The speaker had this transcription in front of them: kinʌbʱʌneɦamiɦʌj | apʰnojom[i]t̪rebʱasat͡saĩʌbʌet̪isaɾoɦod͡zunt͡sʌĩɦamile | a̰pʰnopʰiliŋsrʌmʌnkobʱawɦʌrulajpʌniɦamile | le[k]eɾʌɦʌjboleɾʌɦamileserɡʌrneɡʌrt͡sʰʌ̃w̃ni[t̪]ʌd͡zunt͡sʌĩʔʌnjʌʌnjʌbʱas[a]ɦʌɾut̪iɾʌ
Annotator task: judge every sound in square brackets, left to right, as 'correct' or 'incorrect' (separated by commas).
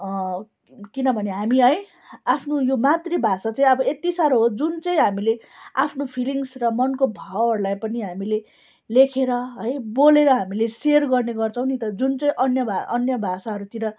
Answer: incorrect, incorrect, correct, correct